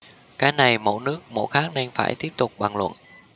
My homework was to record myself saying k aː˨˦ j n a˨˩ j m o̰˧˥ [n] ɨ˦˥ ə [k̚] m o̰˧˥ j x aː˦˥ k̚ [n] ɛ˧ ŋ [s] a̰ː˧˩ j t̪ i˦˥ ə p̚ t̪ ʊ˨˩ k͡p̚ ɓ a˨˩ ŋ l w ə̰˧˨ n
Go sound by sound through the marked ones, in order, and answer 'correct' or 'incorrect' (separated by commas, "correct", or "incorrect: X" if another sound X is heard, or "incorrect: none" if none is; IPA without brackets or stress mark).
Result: correct, correct, correct, incorrect: f